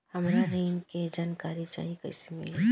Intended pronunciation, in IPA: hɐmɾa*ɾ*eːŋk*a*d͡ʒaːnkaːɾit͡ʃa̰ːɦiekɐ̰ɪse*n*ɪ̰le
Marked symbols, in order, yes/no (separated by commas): yes, no, no